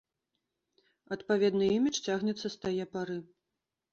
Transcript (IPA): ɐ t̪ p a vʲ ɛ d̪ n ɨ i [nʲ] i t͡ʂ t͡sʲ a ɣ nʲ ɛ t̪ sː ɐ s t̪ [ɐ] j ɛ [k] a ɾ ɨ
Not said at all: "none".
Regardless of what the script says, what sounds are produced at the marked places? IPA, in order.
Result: mʲ, a, p

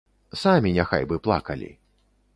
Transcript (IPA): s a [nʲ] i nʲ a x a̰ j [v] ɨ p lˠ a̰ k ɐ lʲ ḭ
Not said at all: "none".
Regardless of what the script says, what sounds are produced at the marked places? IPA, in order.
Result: mʲ, b

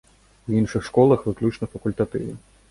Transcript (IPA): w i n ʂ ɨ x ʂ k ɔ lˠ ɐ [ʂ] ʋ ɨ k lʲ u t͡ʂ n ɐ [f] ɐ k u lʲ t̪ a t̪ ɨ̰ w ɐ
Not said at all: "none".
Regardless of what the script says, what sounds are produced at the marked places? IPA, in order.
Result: x, f

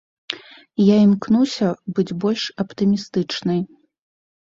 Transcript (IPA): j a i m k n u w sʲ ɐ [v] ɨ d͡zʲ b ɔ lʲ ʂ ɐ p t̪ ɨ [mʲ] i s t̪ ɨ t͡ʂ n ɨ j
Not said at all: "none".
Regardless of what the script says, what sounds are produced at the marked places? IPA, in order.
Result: b, mʲ

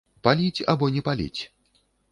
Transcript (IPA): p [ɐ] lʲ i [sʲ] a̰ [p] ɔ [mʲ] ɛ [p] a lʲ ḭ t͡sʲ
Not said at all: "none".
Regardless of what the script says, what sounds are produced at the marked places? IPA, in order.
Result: a, t͡sʲ, b, nʲ, p

